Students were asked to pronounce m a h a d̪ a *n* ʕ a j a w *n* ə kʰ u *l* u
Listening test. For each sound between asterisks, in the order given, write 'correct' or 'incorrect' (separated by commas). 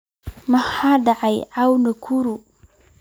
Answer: incorrect, correct, incorrect